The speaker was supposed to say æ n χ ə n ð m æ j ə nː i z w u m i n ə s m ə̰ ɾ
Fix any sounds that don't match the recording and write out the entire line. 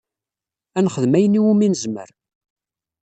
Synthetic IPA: æ n χ ə ð m æ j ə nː i w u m i n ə z m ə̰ ɾ